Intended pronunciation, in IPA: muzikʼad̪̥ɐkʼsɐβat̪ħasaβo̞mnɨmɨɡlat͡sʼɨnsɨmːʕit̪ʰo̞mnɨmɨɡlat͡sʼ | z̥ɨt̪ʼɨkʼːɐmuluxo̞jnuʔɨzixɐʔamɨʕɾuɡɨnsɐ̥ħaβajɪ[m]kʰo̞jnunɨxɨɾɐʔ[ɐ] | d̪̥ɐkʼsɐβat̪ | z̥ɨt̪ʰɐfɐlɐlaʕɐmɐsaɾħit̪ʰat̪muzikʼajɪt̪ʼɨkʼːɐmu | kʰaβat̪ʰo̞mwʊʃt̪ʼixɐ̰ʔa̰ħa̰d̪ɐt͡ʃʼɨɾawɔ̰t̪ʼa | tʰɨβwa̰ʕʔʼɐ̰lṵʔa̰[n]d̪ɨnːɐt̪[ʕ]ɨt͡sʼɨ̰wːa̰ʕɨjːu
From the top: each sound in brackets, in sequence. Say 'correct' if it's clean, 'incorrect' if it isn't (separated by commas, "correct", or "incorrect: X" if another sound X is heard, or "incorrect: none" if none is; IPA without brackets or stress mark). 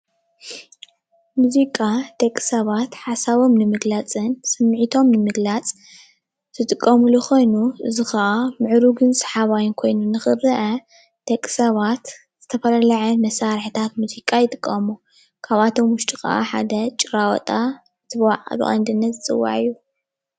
incorrect: n, correct, correct, incorrect: z